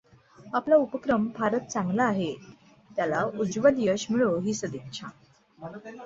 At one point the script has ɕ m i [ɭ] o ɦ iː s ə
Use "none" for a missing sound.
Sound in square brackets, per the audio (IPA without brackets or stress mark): ɭ